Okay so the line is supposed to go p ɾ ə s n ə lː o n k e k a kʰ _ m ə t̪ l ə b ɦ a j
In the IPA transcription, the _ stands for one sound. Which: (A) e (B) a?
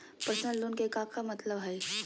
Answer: B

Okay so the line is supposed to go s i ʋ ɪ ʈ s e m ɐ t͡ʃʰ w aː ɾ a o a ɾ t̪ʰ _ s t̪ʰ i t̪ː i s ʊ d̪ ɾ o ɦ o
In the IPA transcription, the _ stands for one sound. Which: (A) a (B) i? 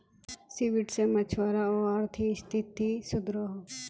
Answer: B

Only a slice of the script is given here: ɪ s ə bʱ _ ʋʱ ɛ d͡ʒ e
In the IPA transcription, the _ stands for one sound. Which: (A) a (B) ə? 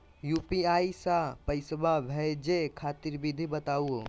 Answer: A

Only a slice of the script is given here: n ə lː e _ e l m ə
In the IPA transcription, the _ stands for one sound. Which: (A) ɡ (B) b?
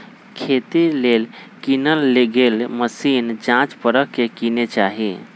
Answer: A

